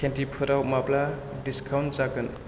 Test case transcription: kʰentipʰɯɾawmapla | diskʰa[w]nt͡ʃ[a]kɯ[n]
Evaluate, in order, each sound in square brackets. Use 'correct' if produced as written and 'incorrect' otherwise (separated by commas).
correct, correct, correct